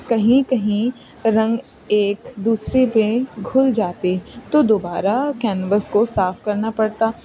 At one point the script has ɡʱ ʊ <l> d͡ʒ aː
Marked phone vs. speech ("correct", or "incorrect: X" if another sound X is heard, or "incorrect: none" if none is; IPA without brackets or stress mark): correct